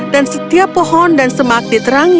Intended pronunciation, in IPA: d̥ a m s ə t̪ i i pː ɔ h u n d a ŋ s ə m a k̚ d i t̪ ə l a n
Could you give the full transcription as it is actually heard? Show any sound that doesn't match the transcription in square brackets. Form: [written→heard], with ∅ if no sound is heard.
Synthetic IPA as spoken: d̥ a [m→n] s ə t̪ i [i→a] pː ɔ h [u→ɔ] n d a [ŋ→n] s ə m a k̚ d i t̪ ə [l→ɾ] a [n→ŋ]